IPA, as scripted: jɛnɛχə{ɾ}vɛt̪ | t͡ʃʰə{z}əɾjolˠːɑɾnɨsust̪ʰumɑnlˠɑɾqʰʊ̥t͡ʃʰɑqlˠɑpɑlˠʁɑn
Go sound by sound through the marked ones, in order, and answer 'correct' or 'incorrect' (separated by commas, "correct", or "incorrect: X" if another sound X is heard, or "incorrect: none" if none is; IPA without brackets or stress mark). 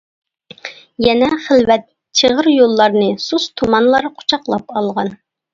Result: incorrect: l, incorrect: ʁ